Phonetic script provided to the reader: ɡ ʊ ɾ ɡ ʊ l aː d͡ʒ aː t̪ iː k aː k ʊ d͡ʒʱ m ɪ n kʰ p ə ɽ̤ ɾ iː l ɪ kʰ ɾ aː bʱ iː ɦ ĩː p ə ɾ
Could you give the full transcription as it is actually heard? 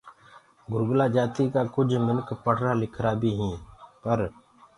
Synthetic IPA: ɡ ʊ ɾ ɡ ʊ l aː d͡ʒ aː t̪ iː k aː k ʊ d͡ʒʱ m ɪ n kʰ p ə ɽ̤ ɾ aː l ɪ kʰ ɾ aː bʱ iː ɦ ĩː p ə ɾ